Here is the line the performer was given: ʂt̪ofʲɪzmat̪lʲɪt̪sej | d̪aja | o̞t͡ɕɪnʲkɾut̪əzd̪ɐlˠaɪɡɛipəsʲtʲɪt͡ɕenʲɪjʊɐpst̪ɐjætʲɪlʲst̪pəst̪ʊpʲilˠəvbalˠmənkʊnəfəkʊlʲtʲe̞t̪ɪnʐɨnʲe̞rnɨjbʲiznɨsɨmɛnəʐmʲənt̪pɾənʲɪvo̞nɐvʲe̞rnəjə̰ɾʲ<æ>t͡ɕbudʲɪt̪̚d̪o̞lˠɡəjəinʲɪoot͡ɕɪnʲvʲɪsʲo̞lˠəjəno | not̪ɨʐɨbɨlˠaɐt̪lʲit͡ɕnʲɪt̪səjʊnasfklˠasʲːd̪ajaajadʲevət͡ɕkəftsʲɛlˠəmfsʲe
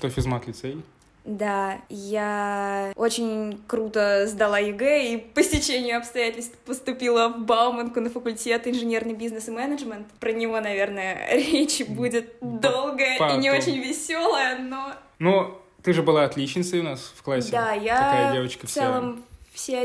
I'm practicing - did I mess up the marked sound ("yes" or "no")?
yes